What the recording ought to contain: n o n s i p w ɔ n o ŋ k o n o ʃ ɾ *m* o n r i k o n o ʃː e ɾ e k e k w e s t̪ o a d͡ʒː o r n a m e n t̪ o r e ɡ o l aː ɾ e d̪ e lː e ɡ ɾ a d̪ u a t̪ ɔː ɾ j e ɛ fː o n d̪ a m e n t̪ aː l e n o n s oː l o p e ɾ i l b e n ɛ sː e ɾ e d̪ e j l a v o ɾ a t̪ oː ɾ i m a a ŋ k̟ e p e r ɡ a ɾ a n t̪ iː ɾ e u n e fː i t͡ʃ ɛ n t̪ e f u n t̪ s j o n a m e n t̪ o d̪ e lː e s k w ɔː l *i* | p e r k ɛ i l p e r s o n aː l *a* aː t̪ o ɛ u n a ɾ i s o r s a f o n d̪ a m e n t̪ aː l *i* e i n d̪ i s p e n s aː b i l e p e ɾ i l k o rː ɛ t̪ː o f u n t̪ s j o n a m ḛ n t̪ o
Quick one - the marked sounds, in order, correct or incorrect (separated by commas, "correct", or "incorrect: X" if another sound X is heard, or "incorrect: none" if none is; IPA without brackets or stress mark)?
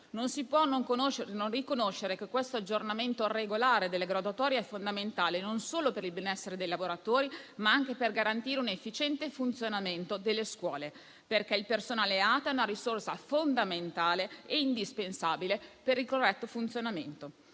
incorrect: n, incorrect: e, incorrect: e, incorrect: e